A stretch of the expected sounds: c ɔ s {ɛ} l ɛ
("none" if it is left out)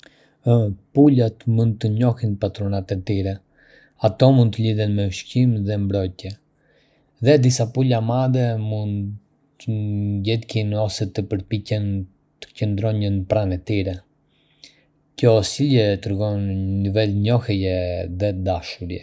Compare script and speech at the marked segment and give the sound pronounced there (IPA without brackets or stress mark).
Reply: i